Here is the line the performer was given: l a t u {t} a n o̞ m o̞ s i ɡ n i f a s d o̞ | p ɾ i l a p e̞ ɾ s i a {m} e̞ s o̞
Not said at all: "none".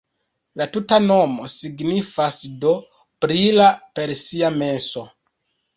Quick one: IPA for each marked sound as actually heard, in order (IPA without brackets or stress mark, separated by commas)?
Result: t, m